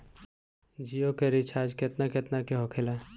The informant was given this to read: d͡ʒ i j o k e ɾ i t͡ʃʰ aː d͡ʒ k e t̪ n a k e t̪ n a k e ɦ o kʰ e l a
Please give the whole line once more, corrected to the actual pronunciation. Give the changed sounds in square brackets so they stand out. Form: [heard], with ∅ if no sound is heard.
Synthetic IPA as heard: d͡ʒ i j o k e ɾ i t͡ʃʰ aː d͡ʒ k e t̪ n a k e t̪ n a k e ɦ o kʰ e l a